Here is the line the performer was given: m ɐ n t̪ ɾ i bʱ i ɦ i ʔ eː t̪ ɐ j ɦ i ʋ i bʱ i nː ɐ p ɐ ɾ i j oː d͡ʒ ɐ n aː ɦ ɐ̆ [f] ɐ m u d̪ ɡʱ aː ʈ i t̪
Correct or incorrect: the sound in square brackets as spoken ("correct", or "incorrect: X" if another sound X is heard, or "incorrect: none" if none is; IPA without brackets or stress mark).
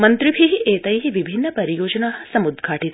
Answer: incorrect: s